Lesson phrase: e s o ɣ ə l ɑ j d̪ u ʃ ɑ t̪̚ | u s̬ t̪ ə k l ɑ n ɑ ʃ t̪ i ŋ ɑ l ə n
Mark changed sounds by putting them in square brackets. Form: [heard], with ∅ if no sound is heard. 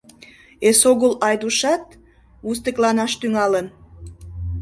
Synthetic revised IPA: e s o ɣ ə l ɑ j d̪ u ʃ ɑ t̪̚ | u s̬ t̪ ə k l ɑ n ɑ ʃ t̪ [y] ŋ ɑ l ə n